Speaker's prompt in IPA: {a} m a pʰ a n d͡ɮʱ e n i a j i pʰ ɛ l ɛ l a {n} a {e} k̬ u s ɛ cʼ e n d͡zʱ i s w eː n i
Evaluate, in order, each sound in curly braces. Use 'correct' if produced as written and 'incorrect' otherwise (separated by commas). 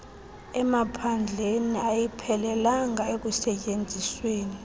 incorrect, incorrect, correct